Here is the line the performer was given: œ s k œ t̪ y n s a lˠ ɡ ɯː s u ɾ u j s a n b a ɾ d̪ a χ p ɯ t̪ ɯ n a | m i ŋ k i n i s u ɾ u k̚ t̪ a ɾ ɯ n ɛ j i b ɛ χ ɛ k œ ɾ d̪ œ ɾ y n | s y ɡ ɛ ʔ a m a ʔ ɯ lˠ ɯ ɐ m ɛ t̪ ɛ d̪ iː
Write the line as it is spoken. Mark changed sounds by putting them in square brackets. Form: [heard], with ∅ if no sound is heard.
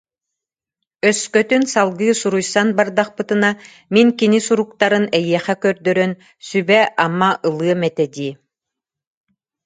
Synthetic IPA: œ s k œ t̪ y n s a lˠ ɡ ɯː s u ɾ u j s a n b a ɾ d̪ a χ p ɯ t̪ ɯ n a | m i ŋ k i n i s u ɾ u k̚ t̪ a ɾ ɯ n ɛ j i [∅] ɛ χ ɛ k œ ɾ d̪ œ ɾ [œ] n | s y [b] ɛ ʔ a m a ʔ ɯ lˠ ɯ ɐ m ɛ t̪ ɛ d̪ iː